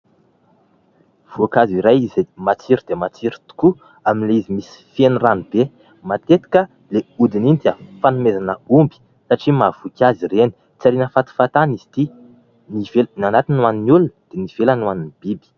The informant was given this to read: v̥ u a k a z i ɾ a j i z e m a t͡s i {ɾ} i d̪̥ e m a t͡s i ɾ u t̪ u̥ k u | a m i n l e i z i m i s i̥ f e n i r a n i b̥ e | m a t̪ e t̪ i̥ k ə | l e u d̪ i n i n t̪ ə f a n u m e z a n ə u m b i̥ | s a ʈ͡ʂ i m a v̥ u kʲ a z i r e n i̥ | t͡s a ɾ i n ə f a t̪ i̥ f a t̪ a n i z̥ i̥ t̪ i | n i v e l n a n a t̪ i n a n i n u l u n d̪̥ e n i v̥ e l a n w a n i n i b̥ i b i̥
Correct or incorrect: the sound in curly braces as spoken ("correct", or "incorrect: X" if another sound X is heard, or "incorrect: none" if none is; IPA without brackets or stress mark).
correct